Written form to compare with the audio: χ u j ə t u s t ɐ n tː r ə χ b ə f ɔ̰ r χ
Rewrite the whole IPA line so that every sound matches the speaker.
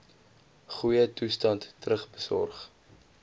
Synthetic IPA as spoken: χ u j ə t u s t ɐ n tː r ə χ b ə s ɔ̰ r χ